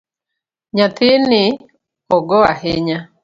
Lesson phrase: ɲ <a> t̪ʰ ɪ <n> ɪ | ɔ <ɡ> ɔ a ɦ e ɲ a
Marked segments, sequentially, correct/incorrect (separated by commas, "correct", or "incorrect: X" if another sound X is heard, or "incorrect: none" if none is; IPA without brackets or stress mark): correct, correct, correct